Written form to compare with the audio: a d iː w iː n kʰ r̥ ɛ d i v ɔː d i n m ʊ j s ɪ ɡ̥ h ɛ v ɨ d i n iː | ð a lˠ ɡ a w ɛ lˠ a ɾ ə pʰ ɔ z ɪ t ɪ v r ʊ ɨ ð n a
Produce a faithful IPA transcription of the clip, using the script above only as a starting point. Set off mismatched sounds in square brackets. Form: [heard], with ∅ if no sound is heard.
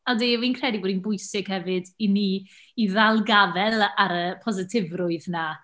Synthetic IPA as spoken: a d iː w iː n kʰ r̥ ɛ d i [b] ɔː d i n [b] ʊ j s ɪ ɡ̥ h ɛ v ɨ d i n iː | ð a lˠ ɡ a [v] ɛ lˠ a ɾ ə pʰ ɔ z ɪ [tʰ] ɪ v r ʊ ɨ ð n a